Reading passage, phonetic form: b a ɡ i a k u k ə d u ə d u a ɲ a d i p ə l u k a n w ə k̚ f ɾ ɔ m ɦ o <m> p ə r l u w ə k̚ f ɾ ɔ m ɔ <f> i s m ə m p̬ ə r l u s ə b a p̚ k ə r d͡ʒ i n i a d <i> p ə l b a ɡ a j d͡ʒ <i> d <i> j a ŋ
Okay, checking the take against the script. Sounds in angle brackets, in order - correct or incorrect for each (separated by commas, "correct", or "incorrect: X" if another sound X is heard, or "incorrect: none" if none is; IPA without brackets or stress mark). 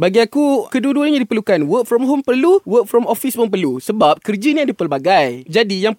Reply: correct, correct, correct, incorrect: a, correct